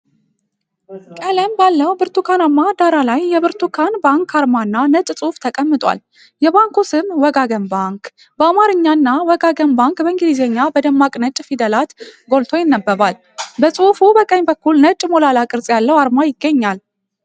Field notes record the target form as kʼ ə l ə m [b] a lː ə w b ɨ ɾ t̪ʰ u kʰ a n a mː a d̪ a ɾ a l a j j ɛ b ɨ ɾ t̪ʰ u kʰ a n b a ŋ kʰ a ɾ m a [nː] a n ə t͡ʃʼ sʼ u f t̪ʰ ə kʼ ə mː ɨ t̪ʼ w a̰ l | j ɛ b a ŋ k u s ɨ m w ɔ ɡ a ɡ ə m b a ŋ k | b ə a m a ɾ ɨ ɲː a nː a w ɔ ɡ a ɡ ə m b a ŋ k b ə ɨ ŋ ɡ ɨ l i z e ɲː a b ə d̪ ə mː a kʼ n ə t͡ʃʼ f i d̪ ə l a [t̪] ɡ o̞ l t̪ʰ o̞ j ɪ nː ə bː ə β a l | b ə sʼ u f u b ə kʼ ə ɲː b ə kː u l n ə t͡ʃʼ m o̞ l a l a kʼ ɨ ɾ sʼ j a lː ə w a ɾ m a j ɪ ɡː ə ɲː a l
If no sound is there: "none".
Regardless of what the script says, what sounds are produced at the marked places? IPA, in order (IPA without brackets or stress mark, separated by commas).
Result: b, nː, t̪